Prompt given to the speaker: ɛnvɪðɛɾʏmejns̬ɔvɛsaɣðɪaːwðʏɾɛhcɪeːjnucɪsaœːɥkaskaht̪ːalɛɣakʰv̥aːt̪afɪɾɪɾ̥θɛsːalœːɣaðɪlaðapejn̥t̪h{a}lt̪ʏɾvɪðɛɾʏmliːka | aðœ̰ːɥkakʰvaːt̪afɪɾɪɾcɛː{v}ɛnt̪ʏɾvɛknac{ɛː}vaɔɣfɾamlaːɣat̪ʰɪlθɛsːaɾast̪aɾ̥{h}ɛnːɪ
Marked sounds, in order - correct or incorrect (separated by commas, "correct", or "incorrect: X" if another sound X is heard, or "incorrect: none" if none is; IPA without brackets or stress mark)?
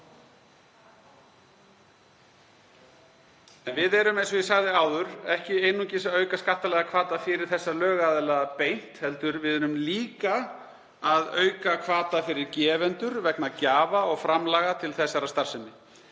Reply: incorrect: ɛ, correct, incorrect: aː, incorrect: s